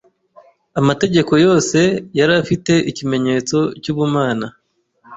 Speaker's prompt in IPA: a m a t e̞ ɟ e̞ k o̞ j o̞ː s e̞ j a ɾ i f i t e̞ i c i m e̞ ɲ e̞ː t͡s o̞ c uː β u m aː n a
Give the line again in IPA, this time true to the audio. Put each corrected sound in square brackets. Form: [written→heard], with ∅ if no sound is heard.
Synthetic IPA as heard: a m a t e̞ ɟ e̞ k o̞ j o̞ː s e̞ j a ɾ [i→a] f i t e̞ i c i m e̞ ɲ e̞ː t͡s o̞ c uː β u m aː n a